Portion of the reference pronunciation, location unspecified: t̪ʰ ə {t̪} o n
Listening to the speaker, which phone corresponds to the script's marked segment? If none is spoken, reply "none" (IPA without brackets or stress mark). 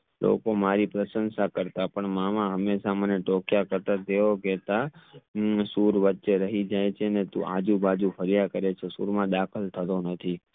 t̪